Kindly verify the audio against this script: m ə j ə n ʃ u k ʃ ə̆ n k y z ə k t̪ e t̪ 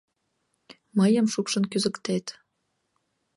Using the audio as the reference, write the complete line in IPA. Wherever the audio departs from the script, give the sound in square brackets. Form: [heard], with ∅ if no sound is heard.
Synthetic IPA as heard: m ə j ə [m] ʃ u k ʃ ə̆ n k y z ə k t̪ e t̪